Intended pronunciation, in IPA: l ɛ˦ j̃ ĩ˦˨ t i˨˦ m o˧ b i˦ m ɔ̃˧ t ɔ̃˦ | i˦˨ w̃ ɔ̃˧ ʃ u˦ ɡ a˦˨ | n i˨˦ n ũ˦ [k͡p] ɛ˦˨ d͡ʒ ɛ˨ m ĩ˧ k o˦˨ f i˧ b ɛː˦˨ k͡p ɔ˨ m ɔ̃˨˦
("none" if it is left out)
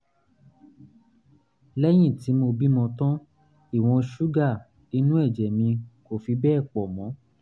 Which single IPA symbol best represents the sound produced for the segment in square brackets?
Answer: none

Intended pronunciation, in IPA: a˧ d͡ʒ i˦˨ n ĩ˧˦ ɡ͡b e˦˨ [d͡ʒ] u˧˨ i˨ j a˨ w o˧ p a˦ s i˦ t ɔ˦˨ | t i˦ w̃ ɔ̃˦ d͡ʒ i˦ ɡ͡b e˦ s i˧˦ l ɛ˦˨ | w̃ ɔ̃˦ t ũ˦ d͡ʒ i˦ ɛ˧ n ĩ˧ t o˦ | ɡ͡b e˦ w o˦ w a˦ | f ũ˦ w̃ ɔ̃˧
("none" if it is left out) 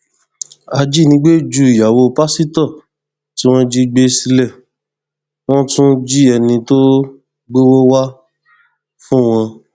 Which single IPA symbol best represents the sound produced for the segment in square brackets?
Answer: d͡ʒ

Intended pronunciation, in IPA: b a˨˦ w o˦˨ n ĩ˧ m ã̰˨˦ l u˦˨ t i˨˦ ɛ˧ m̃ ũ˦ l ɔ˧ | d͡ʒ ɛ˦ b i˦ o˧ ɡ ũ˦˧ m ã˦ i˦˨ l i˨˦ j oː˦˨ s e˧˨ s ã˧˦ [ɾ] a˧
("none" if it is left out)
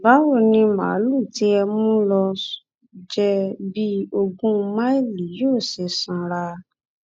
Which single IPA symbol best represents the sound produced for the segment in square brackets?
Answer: ɾ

